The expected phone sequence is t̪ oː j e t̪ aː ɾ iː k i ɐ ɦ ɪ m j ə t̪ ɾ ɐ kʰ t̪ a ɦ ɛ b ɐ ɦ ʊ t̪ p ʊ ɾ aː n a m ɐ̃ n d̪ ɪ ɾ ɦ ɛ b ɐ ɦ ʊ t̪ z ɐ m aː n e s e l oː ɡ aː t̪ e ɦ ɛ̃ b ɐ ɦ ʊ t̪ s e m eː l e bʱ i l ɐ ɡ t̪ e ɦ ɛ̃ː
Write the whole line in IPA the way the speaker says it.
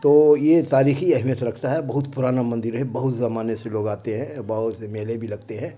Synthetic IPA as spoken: t̪ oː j e t̪ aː ɾ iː x i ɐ ɦ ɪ m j ə t̪ ɾ ɐ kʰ t̪ a ɦ ɛ b ɐ ɦ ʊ t̪ p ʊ ɾ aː n a m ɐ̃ n d̪ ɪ ɾ ɦ ɛ b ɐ ɦ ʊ t̪ z ɐ m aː n e s e l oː ɡ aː t̪ e ɦ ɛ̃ b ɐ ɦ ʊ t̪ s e m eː l e bʱ i l ɐ ɡ t̪ e ɦ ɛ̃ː